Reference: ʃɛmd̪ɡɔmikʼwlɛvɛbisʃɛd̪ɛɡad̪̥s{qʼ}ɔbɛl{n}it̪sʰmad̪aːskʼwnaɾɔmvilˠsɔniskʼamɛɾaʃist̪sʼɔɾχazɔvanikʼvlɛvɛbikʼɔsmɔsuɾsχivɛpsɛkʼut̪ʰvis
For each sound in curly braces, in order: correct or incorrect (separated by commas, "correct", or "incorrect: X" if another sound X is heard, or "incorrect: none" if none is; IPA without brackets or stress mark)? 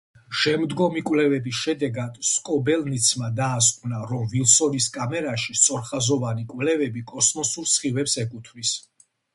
incorrect: kʼ, correct